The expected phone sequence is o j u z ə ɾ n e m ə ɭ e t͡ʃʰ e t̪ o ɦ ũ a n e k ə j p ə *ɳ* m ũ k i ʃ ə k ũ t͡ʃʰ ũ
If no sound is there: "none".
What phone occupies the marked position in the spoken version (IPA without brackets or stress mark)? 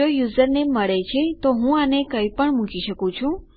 ɳ